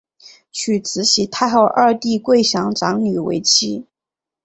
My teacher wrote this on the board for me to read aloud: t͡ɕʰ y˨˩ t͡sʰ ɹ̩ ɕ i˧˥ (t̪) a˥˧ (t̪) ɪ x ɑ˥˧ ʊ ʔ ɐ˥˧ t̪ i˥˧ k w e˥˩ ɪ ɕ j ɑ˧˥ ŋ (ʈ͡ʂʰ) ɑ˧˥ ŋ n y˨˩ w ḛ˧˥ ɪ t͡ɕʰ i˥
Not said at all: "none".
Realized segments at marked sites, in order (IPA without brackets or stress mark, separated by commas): t̪ʰ, none, ʈ͡ʂ